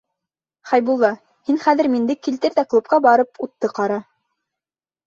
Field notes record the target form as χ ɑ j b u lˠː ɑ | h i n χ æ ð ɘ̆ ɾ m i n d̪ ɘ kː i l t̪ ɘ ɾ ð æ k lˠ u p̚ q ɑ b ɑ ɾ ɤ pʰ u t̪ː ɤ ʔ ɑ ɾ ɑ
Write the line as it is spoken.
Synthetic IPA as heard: χ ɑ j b u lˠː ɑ | h i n χ æ ð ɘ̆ ɾ m i n d̪ ɘ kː i l t̪ ɘ ɾ ð æ k lˠ u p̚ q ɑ b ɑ ɾ ɤ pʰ u t̪ː ɤ q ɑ ɾ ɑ